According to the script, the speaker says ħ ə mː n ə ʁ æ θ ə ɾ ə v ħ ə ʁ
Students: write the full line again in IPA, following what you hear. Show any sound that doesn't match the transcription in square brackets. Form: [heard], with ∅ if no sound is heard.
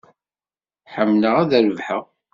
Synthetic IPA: ħ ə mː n ə ʁ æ [ð] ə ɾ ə v ħ ə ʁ